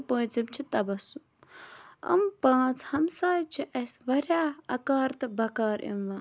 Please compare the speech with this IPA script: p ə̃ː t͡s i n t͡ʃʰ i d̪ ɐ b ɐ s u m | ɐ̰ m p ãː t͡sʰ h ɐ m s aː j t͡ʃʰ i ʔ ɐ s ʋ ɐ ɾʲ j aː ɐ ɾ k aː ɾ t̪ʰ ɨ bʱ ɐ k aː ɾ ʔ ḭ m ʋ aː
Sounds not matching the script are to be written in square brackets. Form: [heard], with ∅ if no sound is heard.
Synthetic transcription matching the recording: p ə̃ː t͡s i [m] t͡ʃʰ i [t̪] ɐ b ɐ s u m | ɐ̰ m p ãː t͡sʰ h ɐ m s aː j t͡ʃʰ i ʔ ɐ s ʋ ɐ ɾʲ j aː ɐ [∅] k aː ɾ [t̪] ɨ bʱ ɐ k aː ɾ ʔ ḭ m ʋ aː